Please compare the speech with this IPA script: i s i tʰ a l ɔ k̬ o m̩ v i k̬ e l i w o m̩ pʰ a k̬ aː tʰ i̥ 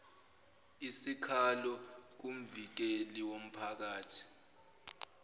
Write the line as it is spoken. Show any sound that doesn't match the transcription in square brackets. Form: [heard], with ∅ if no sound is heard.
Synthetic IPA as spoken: i s i [kʰ] a l ɔ k̬ [u] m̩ v i k̬ e l i w o m̩ pʰ a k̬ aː tʰ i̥